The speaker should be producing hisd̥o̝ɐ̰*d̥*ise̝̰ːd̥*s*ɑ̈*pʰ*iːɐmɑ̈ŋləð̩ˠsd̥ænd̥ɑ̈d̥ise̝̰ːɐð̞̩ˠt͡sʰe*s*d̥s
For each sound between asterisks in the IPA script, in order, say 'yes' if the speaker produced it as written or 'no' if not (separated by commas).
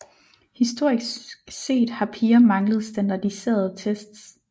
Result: no, no, yes, yes